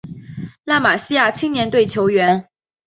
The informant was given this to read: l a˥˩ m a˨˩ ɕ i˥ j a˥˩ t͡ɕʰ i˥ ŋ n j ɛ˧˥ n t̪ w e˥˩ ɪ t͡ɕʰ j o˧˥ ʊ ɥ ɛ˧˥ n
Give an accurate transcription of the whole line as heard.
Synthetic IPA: l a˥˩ m a˨˩ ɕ i˥ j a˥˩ t͡ɕʰ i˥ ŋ n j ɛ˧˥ n t̪ w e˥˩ ɪ t͡ɕʰ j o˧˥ ʊ ɥ ɛ˧˥ n